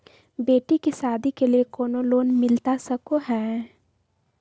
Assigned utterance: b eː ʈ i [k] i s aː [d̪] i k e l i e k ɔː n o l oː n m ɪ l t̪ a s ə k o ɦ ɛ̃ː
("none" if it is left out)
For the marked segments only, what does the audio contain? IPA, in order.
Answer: k, d̪

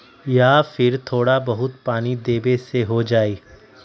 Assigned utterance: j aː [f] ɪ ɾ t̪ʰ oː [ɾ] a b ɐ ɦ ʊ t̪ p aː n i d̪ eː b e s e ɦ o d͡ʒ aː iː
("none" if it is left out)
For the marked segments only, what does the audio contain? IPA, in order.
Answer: f, ɽ

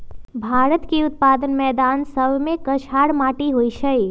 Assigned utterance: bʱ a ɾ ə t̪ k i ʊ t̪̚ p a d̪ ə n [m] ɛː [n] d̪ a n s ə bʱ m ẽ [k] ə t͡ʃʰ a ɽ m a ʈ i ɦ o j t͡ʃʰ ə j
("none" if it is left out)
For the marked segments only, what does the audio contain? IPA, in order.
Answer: m, none, k

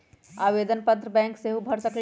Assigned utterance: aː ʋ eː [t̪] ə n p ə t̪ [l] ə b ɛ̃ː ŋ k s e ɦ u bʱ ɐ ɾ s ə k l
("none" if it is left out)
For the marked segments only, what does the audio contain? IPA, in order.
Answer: d̪, ɾ

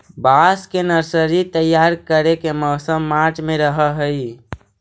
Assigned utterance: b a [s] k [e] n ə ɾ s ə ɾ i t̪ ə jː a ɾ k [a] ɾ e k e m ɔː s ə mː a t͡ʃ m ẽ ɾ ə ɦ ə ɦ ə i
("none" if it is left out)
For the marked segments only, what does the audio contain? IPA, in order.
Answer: s, e, ə

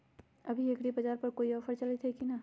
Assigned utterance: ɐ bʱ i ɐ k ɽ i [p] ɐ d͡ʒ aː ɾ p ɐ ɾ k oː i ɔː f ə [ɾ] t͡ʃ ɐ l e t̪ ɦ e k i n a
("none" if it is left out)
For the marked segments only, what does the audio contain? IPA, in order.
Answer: b, ɾ

